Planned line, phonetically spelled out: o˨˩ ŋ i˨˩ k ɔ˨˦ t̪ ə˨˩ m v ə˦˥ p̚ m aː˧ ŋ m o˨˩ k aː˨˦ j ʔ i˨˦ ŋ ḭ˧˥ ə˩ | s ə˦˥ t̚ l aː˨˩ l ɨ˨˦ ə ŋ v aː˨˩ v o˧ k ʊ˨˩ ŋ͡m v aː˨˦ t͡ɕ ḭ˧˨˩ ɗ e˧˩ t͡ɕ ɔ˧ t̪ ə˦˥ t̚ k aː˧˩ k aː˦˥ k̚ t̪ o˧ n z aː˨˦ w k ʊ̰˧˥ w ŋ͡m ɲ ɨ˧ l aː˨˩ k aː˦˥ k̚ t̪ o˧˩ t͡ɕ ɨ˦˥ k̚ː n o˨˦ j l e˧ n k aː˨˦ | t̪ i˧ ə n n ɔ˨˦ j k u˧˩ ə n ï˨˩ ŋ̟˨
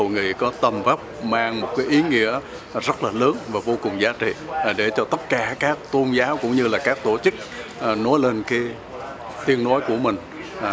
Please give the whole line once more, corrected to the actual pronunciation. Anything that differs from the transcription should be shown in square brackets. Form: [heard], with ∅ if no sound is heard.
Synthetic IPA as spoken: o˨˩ ŋ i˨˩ k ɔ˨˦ t̪ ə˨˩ m v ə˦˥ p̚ m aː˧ ŋ m o˨˩ k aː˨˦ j ʔ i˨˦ ŋ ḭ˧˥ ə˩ | [z] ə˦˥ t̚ l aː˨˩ l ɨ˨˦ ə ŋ v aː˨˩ v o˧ k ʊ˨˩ ŋ͡m [z] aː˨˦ t͡ɕ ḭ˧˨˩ ɗ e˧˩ t͡ɕ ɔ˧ t̪ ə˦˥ t̚ k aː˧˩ k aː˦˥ k̚ t̪ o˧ n z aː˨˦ w k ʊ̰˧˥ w ŋ͡m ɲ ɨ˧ l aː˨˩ k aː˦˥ k̚ t̪ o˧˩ t͡ɕ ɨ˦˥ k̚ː n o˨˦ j l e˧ n k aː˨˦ | t̪ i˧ ə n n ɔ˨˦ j k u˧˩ ə [m] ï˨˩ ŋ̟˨